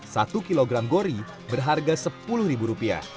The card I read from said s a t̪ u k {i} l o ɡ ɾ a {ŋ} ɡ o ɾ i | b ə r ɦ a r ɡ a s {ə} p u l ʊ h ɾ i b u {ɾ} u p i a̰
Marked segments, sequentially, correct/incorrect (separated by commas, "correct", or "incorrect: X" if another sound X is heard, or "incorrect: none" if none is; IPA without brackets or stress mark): correct, incorrect: m, correct, correct